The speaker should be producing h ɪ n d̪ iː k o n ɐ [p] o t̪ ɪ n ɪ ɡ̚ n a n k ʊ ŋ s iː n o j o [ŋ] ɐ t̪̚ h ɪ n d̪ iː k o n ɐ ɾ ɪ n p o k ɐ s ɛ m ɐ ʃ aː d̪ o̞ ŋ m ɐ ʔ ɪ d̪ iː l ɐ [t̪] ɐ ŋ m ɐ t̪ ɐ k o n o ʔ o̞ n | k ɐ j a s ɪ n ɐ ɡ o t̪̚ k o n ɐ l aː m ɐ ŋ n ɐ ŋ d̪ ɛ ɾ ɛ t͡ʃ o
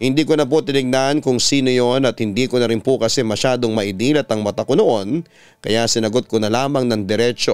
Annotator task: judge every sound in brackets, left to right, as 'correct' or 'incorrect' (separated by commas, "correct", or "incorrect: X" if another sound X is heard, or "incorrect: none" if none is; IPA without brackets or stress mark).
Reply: correct, incorrect: n, correct